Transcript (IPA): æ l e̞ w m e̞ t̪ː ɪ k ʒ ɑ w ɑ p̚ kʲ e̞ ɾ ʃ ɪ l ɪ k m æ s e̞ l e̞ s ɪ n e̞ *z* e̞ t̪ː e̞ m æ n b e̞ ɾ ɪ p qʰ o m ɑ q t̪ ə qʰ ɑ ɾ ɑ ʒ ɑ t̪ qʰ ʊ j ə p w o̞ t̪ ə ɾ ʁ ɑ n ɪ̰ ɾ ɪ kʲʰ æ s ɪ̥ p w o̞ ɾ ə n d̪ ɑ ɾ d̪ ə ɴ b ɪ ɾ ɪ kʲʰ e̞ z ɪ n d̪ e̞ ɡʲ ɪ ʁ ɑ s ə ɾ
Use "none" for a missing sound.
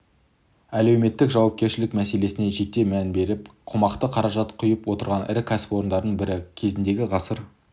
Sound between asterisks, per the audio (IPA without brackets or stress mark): ʒ